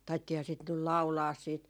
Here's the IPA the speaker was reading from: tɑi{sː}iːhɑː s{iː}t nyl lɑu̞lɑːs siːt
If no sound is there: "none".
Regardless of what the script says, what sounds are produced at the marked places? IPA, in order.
tː, i

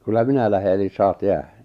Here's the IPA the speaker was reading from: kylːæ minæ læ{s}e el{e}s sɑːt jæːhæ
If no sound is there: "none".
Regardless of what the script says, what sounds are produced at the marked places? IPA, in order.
h, i

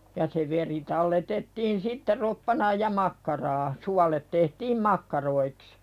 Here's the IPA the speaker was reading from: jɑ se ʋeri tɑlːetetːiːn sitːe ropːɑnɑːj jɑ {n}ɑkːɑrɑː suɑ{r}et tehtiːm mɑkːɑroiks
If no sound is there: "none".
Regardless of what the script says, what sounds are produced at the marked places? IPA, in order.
m, l

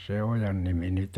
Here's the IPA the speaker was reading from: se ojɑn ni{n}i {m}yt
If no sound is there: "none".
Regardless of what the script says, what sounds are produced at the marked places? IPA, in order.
m, n

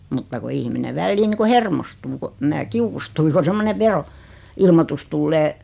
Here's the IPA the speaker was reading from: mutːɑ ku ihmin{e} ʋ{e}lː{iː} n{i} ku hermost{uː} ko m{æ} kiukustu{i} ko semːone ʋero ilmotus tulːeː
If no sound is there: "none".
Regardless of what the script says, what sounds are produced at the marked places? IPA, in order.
e, æ, iː, i, uː, æː, i

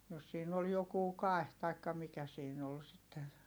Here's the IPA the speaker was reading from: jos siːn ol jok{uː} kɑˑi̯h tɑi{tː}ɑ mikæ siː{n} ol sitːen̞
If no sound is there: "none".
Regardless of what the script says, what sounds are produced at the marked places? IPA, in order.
uː, kː, n

